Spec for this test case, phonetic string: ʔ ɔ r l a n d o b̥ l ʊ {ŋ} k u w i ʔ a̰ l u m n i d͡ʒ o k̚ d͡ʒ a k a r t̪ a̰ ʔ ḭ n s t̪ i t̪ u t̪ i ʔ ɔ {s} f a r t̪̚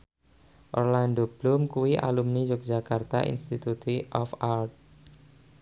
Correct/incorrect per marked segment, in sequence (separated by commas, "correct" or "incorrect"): incorrect, incorrect